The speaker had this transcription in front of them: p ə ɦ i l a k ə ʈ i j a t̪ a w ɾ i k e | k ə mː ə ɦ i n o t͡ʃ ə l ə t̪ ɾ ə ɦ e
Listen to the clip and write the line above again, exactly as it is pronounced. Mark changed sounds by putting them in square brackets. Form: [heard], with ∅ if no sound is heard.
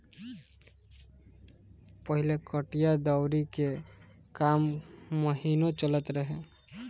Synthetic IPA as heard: p ə ɦ i l [e] k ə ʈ i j a [d̪] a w ɾ i k e | k [a] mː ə ɦ i n o t͡ʃ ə l ə t̪ ɾ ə ɦ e